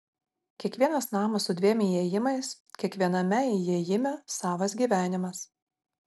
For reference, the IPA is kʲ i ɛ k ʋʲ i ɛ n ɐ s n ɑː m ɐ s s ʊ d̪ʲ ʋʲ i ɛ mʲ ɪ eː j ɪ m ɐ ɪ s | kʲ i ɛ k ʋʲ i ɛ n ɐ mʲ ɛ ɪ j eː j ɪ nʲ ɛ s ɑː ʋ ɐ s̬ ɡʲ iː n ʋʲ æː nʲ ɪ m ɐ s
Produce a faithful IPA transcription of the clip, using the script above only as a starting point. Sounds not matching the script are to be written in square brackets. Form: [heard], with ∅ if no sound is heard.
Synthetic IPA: kʲ i ɛ k ʋʲ i ɛ n ɐ s n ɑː m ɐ s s ʊ d̪ʲ ʋʲ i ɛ mʲ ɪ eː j ɪ m ɐ ɪ s | kʲ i ɛ k ʋʲ i ɛ n ɐ mʲ ɛ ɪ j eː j ɪ [mʲ] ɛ s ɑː ʋ ɐ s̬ ɡʲ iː [∅] ʋʲ æː nʲ ɪ m ɐ s